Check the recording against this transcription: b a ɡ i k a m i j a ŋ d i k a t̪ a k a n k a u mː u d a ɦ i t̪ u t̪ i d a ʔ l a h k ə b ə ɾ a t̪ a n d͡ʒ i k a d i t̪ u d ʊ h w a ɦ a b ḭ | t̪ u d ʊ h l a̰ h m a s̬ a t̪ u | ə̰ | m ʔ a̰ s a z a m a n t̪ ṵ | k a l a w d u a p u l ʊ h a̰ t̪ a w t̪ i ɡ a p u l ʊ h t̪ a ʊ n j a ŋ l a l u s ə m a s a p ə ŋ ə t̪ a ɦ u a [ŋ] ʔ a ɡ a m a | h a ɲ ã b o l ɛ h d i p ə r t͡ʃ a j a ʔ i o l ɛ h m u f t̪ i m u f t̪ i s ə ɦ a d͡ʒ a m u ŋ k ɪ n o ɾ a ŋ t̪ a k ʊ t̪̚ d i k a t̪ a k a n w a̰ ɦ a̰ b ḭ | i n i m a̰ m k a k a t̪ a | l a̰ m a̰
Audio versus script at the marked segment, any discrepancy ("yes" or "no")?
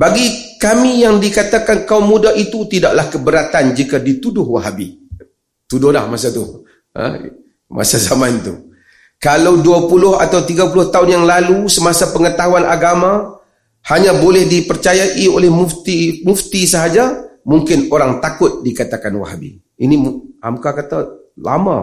yes